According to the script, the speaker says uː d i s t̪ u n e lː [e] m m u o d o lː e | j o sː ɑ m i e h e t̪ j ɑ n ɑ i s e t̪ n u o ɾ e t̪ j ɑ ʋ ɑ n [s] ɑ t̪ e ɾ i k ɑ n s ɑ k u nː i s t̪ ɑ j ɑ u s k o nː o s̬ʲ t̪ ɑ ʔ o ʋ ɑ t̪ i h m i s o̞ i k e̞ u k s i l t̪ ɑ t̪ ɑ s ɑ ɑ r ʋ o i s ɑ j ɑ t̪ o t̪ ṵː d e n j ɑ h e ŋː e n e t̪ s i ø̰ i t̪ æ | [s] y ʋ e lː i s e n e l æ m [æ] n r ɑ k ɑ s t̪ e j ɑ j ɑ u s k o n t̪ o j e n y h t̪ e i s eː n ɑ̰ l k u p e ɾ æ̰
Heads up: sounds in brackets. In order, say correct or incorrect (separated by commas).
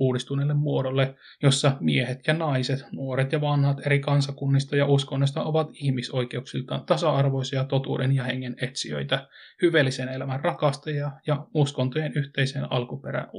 correct, incorrect, incorrect, correct